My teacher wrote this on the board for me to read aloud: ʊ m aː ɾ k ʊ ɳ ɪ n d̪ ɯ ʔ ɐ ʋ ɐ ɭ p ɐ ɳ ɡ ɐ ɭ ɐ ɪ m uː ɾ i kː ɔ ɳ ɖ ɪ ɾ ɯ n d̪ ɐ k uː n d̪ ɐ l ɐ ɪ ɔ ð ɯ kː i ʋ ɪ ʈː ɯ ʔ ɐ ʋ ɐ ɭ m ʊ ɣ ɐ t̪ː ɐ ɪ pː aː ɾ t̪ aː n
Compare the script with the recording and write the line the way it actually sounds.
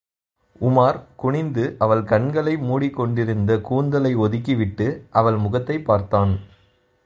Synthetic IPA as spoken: ʊ m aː ɾ k ʊ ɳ ɪ n d̪ ɯ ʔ ɐ ʋ ɐ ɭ k ɐ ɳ ɡ ɐ ɭ ɐ ɪ m uː ɽ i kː ɔ ɳ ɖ ɪ ɾ ɯ n d̪ ɐ k uː n d̪ ɐ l ɐ ɪ ɔ ð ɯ kː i ʋ ɪ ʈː ɯ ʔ ɐ ʋ ɐ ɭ m ʊ ɣ ɐ t̪ː ɐ ɪ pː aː ɾ t̪ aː n